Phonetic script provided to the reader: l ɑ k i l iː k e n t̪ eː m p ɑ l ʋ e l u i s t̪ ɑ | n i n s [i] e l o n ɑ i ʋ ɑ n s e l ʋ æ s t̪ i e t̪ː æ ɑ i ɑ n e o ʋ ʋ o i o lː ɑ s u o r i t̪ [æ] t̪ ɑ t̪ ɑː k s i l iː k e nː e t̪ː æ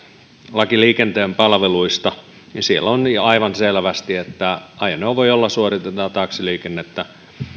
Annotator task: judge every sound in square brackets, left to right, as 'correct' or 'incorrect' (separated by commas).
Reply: correct, incorrect